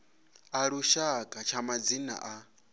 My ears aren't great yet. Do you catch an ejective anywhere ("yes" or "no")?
yes